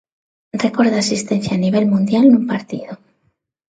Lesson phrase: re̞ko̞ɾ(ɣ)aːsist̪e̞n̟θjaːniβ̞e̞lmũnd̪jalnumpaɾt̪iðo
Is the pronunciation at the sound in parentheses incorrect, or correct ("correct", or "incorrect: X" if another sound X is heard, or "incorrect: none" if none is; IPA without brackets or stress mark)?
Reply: incorrect: ð